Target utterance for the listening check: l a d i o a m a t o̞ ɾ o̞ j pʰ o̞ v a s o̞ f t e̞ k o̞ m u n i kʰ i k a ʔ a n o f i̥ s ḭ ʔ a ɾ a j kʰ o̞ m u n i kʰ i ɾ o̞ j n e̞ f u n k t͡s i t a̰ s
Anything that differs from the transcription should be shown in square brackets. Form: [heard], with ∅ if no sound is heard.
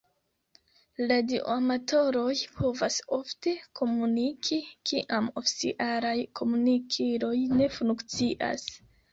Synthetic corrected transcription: l a d i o a m a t o̞ ɾ o̞ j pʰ o̞ v a s o̞ f t e̞ k o̞ m u n i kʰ i k [i] ʔ a [m] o f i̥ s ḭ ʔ a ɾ a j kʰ o̞ m u n i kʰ i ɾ o̞ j n e̞ f u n k t͡s i [ʔ] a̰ s